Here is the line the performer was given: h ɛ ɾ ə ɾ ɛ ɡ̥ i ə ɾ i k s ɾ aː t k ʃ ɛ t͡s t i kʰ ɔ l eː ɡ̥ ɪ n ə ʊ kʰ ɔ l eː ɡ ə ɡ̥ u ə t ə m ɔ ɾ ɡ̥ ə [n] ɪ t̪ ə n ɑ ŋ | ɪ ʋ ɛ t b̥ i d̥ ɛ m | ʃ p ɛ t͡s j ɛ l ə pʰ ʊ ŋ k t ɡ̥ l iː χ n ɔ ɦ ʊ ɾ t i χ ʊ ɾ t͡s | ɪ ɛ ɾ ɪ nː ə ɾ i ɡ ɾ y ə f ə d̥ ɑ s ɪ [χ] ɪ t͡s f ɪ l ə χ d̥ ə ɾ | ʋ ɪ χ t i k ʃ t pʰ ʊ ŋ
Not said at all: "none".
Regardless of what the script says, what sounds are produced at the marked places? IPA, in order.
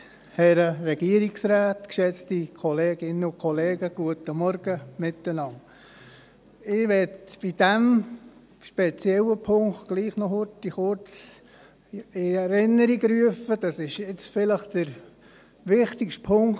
m, ʃ

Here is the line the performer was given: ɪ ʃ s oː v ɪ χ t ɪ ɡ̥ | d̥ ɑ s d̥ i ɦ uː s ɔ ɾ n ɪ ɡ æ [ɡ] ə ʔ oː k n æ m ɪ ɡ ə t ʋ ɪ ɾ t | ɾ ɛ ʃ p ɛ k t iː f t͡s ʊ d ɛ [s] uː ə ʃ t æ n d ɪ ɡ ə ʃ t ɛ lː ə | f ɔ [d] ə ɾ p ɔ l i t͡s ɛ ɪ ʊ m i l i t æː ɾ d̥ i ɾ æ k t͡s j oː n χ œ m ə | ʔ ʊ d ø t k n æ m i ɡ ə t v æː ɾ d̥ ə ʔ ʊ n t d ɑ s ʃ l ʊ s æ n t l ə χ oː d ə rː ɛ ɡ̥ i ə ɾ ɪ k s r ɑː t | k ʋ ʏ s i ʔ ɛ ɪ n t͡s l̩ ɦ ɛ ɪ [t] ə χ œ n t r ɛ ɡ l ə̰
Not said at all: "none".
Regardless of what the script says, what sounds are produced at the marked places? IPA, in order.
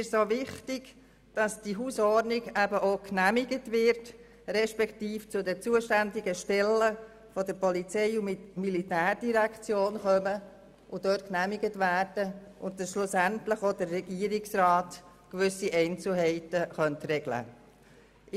b, t͡s, d, t

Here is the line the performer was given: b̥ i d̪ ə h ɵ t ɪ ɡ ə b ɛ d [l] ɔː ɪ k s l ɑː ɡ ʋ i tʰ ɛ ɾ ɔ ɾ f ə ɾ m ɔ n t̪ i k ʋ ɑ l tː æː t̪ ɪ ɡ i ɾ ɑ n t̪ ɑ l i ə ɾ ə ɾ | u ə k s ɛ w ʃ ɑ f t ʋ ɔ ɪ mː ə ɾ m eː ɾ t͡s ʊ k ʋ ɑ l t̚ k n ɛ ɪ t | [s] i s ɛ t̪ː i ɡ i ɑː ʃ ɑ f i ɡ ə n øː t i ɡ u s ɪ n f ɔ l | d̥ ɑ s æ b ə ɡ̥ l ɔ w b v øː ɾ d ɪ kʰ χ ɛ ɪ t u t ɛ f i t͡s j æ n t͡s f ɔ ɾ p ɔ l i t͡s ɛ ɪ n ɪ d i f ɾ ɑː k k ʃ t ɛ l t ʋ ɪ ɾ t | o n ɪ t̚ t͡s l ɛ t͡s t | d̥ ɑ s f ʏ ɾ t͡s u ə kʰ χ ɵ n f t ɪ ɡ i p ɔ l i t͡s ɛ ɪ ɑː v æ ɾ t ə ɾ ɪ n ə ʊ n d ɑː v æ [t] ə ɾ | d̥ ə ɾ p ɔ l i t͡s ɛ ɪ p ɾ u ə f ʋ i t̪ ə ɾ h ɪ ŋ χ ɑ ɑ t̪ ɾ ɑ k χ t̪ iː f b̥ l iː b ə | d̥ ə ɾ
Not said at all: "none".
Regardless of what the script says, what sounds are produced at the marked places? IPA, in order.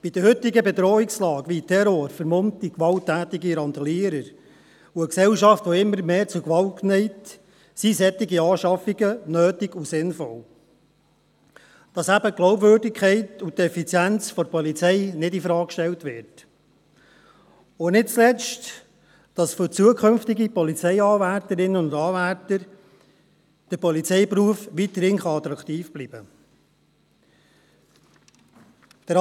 ɾ, s, t

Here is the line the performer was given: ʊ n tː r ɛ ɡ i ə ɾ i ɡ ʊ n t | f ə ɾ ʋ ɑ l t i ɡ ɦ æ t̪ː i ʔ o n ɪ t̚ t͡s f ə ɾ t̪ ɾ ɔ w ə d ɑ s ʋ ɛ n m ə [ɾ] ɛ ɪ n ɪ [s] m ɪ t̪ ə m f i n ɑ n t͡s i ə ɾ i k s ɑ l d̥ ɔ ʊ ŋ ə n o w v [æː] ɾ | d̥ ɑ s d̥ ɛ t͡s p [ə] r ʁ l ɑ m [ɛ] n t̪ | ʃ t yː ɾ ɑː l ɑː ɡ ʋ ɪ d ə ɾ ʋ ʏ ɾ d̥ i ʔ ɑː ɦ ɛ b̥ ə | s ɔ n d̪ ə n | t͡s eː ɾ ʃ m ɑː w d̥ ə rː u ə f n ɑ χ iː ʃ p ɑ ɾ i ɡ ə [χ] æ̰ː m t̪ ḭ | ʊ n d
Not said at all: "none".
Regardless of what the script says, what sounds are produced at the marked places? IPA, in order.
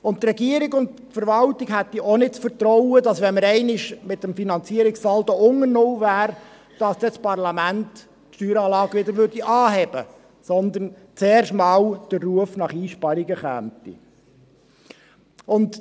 ɾ, ʃ, æː, ɑ, æ, χ

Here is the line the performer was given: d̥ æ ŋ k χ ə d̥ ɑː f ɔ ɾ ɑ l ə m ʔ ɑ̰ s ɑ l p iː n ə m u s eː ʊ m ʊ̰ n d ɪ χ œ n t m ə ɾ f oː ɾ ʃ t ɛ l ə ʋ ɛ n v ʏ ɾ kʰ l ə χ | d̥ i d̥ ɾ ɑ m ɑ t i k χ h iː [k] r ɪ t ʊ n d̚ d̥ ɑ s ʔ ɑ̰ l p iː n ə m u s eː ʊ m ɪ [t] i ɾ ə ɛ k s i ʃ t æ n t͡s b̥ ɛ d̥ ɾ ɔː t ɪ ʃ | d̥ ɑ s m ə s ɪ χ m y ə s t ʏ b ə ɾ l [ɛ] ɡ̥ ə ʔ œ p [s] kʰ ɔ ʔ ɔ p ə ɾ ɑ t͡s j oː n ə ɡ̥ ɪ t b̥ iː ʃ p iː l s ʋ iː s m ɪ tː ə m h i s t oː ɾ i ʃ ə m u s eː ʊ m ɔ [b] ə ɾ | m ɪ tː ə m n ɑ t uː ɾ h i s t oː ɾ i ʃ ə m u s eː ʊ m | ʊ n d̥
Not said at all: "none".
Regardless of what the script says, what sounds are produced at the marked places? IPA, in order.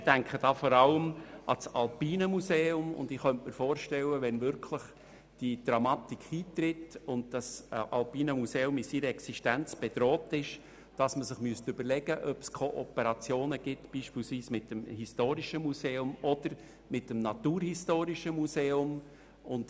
t, s, ɛ, s, d

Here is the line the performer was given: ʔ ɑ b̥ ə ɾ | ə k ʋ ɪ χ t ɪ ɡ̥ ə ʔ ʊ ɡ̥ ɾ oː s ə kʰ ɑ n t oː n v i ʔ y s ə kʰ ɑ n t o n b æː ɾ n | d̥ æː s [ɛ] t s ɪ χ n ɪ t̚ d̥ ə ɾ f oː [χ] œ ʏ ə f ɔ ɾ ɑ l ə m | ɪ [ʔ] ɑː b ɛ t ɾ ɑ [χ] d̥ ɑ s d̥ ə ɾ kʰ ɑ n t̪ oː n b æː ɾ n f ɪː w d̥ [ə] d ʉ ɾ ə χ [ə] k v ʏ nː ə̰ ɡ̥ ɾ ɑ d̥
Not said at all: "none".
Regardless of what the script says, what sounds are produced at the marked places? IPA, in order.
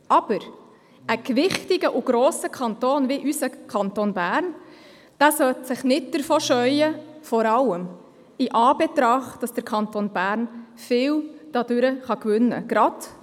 œ, ʃ, ʔ, χ, ɑ, ɑ

